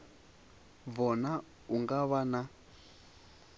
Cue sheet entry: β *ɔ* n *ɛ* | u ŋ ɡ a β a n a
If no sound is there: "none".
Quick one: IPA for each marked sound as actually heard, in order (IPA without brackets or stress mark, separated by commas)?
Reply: ɔ, a